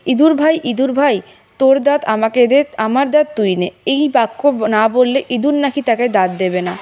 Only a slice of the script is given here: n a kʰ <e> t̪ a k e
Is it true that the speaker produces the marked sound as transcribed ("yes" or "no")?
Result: no